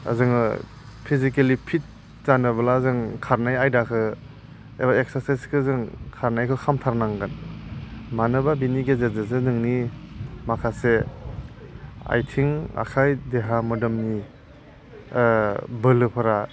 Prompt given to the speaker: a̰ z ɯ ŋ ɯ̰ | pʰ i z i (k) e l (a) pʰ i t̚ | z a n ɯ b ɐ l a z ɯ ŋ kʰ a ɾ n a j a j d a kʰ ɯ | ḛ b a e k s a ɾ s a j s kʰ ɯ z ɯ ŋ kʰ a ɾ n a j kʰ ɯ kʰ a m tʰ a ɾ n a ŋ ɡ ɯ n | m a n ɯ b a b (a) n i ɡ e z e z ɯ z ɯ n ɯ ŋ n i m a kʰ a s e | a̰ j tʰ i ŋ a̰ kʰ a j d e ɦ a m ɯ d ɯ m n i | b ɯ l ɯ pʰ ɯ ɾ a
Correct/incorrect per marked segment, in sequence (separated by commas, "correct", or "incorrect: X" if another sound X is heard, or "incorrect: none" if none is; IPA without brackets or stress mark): correct, incorrect: i, incorrect: i